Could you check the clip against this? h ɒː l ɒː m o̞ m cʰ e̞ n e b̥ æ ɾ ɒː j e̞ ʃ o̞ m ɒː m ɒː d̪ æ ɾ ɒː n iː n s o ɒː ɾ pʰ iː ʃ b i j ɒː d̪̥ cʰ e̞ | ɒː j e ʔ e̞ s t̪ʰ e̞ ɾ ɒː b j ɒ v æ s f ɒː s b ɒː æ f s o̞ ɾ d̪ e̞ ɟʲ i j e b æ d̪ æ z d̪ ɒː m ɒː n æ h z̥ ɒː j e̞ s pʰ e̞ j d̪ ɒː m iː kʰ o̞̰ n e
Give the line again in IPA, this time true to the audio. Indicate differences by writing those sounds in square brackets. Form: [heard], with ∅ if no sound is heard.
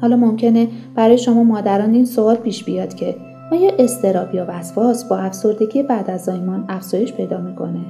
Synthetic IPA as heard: h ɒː l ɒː m o̞ m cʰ e̞ n e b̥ æ ɾ ɒː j e̞ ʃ o̞ m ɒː m ɒː d̪ æ ɾ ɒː n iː n s o ɒː [l] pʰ iː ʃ b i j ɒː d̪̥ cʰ e̞ | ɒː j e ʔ e̞ s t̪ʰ e̞ ɾ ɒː b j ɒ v æ s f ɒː s b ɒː æ f s o̞ ɾ d̪ e̞ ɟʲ i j e b æ d̪ æ z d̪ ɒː m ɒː n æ [f] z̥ ɒː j e̞ [ʃ] pʰ e̞ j d̪ ɒː m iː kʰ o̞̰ n e